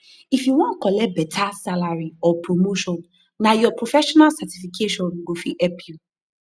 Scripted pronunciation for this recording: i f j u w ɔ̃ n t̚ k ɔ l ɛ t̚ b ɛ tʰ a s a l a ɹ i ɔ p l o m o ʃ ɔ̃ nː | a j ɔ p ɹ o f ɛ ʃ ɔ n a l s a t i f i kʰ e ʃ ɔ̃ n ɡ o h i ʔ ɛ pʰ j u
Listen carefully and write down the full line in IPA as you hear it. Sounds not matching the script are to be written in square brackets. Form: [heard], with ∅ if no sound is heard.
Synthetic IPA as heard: i f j u w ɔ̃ n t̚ k ɔ l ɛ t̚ b ɛ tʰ a s a l a ɹ i ɔ p [ɹ] o m o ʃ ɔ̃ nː | a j ɔ p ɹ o f ɛ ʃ ɔ n a l s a t i f i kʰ e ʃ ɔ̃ n ɡ o [f] i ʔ ɛ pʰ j u